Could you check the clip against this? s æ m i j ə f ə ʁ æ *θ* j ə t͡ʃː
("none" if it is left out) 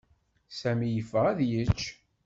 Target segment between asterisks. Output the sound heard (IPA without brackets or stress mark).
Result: ð